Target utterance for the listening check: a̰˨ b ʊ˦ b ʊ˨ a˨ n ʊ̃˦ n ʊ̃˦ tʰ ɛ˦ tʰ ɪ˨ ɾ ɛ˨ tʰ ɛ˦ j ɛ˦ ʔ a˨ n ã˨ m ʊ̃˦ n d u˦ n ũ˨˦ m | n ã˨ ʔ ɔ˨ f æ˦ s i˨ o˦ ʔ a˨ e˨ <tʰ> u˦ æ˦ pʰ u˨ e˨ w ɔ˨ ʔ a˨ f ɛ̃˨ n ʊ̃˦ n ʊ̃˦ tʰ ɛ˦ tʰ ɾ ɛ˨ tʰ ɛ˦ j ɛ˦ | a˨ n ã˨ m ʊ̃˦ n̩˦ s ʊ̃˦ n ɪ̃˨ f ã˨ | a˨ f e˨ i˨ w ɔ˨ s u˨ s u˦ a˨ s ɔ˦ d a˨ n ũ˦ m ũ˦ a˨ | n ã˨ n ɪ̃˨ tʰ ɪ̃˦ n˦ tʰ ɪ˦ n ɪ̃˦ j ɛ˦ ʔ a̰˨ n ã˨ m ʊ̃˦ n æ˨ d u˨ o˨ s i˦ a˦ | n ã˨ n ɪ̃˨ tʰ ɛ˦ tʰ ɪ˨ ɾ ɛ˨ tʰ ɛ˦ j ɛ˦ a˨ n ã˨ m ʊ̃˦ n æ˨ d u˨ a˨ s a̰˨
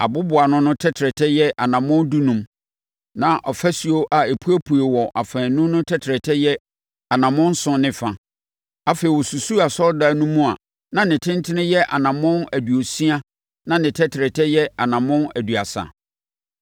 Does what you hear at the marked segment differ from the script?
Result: yes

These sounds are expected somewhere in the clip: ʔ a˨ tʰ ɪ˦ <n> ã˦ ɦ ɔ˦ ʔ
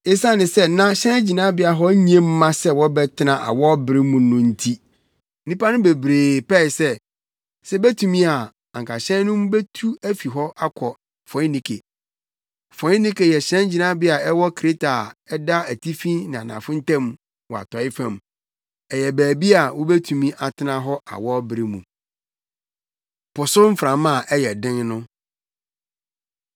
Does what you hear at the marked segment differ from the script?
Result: no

